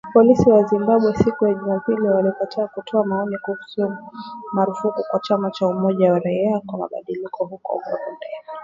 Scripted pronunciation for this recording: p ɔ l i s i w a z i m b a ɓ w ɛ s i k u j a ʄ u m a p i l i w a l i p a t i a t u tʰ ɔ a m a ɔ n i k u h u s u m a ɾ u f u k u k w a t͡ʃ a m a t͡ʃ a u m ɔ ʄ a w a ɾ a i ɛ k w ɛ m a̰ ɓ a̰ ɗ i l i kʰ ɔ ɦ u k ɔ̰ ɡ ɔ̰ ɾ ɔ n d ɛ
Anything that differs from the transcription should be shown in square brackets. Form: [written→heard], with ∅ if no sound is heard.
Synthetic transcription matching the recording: p ɔ l i s i w a z i m b a ɓ w ɛ s i k u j a ʄ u m a p i l i w a l i p a t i a [t→k] u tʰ ɔ a m a ɔ n i k u h u s u m a ɾ u f u k u k w a t͡ʃ a m a t͡ʃ a u m ɔ ʄ a w a ɾ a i [ɛ→a] k w [ɛ→a] m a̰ ɓ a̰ ɗ i l i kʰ ɔ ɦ u k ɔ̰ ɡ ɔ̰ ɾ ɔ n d ɛ